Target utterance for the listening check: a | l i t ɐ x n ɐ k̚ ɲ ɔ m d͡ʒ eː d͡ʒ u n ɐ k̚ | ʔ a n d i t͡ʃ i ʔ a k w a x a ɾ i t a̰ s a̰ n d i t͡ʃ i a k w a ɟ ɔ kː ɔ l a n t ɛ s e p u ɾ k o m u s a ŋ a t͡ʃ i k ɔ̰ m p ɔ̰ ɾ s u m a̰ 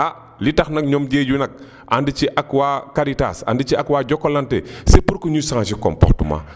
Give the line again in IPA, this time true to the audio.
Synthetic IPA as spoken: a | l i t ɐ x n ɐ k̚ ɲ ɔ m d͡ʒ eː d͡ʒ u n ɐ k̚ | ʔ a n d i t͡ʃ i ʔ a k w a k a ɾ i t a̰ s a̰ n d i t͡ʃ i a k w a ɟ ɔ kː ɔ l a n t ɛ s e p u ɾ k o ɲ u s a ŋ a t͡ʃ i k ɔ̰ m p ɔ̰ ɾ t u m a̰

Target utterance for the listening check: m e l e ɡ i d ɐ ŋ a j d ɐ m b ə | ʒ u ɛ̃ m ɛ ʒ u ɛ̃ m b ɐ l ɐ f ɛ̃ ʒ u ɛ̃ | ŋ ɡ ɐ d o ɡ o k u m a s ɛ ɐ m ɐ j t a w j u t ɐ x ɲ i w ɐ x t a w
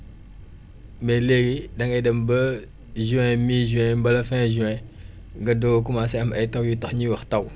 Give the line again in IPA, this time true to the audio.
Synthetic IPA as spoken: m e l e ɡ i d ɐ ŋ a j d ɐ m b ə | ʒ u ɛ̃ m i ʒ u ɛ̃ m b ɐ l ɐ f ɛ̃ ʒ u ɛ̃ | ŋ ɡ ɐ d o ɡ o k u m a s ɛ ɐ m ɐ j t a w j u t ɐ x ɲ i w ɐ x t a w

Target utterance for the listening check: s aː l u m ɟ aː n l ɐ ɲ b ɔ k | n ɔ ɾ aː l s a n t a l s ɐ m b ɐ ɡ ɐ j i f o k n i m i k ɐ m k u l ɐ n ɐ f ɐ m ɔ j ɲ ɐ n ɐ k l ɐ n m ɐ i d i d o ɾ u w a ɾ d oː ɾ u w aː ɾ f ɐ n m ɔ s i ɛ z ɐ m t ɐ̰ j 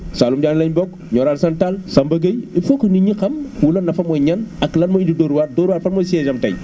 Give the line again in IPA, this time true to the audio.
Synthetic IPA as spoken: s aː l u m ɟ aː n l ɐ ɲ b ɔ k | ɲ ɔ ɾ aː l s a n t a l s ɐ m b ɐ ɡ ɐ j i f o k n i ɲ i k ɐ m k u l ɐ n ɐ f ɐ m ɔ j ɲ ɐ n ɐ k l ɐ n m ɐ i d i d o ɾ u w a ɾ d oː ɾ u w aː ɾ f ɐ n m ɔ s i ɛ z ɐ m t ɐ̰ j

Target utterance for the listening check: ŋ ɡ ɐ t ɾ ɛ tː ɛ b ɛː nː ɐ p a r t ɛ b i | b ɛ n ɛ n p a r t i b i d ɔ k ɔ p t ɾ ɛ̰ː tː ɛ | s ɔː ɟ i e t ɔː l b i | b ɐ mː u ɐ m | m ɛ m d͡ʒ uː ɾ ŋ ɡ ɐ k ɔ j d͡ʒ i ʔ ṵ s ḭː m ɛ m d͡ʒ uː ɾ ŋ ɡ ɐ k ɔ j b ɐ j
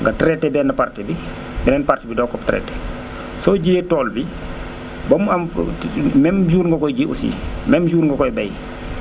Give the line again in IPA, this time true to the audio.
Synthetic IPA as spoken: ŋ ɡ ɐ t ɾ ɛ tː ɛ b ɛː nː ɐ p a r t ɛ b i | b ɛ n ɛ n p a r t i b i d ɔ k ɔ p t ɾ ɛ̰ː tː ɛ | s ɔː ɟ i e t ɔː l b i | b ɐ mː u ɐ m | m ɛ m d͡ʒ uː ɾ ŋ ɡ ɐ k ɔ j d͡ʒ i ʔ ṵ s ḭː m ɛ m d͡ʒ uː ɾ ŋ ɡ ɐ k ɔ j b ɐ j

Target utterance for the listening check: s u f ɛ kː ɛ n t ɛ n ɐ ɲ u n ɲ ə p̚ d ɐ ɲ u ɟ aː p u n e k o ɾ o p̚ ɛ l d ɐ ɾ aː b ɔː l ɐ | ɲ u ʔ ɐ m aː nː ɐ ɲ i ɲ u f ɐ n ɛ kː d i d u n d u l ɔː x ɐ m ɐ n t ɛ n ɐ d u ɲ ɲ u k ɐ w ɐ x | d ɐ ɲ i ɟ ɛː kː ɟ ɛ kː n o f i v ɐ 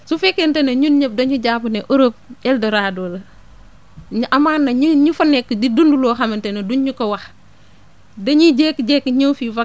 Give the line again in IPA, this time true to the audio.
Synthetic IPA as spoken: s u f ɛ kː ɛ n t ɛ n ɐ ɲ u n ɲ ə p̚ d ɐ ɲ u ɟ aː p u n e ʔ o ɾ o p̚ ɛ l d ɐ ɾ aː d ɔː l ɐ | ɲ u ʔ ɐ m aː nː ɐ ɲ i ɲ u f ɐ n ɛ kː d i d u n d u l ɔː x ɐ m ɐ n t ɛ n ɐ d u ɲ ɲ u k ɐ w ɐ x | d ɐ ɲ i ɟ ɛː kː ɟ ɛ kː ɲ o f i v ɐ

